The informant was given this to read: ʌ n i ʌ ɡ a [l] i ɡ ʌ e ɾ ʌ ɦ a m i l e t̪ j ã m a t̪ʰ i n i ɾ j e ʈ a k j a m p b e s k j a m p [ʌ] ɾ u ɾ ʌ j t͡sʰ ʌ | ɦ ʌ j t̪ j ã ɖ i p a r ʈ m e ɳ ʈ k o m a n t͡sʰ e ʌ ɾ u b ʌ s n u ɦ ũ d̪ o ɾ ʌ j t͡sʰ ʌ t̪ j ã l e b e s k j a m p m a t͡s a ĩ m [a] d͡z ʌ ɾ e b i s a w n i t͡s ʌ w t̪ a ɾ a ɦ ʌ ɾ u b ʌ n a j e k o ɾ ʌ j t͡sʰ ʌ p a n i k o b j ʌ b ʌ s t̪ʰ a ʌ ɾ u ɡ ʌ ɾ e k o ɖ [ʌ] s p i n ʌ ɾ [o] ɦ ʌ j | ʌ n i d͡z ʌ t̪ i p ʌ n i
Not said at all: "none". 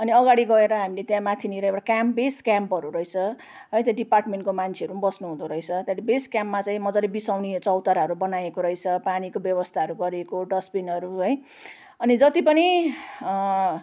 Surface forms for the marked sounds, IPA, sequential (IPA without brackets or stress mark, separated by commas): ɽ, ʌ, ʌ, ʌ, u